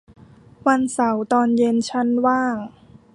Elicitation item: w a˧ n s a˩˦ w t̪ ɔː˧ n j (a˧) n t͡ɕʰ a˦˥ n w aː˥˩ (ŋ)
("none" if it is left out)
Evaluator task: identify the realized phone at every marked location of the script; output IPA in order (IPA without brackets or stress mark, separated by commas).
e˧, ŋ